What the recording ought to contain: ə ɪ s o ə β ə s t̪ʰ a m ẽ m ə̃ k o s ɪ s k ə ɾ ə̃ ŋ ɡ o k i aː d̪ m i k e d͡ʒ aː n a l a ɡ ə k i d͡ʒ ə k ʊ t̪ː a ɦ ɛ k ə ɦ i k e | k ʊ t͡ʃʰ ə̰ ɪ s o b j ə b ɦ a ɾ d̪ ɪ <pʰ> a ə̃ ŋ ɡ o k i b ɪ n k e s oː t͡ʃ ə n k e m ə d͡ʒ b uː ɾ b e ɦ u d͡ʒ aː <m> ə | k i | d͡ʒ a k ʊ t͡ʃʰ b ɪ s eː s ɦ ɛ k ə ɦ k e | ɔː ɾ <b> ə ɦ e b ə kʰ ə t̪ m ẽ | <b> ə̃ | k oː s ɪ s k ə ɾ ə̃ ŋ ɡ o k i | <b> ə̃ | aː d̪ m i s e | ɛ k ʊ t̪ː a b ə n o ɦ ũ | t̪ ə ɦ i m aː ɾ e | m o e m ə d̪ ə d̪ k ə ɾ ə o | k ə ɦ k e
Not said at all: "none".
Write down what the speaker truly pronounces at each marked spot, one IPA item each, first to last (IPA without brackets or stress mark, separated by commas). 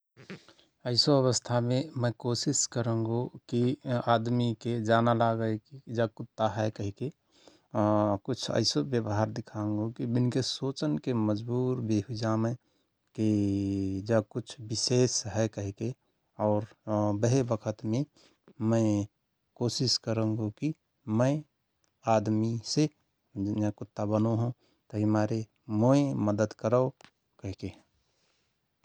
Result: kʰ, m, b, m, m